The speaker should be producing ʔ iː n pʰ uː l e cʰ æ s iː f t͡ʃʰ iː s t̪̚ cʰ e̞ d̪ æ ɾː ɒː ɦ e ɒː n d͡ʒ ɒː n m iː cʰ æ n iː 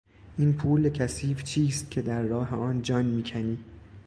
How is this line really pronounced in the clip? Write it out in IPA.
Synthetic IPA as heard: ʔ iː n pʰ uː l e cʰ æ s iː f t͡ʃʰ iː s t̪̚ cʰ e̞ d̪ æ ɾː ɒː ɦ e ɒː n d͡ʒ ɒː n m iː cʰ æ n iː